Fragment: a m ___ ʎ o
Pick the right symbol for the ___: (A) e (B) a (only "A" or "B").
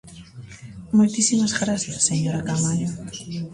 B